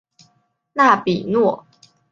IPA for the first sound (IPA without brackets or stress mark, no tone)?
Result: n